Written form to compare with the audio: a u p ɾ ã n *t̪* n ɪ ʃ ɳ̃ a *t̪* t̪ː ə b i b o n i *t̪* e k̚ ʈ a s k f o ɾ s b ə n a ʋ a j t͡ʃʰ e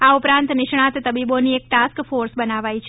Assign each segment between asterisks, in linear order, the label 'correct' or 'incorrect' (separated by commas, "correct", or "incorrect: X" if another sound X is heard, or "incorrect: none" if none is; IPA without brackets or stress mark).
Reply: correct, correct, incorrect: none